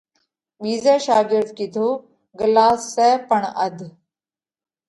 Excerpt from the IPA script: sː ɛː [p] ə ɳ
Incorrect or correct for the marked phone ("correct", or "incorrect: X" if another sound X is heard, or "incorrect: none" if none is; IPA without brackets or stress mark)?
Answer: correct